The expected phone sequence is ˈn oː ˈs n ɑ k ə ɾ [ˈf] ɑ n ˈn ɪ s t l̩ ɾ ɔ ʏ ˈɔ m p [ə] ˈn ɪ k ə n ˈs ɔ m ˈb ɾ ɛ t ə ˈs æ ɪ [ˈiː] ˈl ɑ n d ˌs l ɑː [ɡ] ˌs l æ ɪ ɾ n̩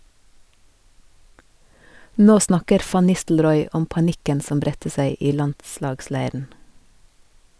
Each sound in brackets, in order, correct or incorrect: correct, incorrect: ɑ, correct, correct

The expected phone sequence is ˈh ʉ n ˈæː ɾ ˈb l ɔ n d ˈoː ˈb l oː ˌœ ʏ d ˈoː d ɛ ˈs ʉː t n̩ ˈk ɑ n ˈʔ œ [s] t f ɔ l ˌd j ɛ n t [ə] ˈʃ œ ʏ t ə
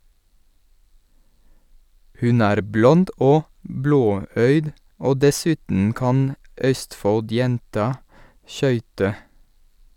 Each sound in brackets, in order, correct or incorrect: correct, incorrect: ɑ

